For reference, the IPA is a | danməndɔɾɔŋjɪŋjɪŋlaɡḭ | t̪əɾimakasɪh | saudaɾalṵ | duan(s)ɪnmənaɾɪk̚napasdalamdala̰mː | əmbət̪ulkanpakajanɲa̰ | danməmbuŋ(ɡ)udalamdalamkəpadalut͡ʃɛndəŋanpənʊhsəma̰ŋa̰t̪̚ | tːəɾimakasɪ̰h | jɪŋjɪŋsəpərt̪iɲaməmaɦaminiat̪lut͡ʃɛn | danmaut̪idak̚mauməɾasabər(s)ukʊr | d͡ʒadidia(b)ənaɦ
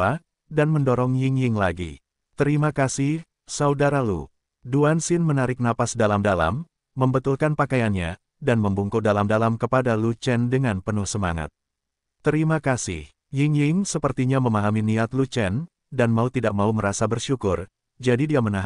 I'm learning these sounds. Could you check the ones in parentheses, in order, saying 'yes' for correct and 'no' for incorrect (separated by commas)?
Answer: yes, no, no, no